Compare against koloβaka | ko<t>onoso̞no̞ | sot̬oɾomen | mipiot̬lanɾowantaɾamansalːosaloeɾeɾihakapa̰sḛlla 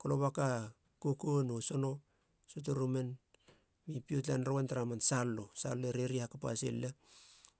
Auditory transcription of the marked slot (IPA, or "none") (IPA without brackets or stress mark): k